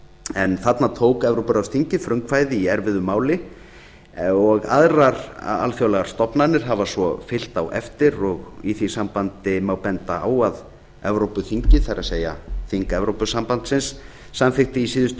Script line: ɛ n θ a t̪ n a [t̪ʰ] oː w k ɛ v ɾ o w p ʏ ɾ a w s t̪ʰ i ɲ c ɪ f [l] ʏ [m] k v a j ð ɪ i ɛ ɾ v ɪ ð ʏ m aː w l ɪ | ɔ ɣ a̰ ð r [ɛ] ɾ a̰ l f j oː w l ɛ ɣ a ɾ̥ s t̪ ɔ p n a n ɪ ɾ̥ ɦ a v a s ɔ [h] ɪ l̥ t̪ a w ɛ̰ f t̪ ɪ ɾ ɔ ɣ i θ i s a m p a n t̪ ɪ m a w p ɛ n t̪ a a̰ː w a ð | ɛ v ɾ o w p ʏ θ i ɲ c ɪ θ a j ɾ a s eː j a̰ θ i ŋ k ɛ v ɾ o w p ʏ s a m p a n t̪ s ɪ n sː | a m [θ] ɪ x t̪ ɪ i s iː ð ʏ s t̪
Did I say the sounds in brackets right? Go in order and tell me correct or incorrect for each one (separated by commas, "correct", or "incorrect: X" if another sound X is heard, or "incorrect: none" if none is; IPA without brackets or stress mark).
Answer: correct, incorrect: ɾ, incorrect: ŋ, incorrect: a, incorrect: f, incorrect: f